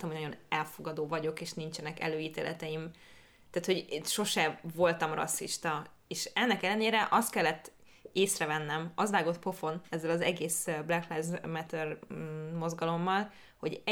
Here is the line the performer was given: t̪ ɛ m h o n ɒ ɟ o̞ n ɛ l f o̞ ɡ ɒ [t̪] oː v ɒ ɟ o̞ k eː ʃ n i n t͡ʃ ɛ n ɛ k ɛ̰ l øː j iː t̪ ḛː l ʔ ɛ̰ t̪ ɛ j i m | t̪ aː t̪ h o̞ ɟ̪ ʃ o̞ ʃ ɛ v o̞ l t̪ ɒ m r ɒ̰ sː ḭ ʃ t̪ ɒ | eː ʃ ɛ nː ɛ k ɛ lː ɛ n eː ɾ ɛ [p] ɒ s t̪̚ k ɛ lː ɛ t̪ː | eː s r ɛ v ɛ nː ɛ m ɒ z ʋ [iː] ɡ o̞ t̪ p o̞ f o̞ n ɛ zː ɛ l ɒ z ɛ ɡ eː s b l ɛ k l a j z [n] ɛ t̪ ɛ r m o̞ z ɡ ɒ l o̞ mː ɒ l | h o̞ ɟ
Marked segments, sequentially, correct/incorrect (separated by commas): incorrect, incorrect, incorrect, incorrect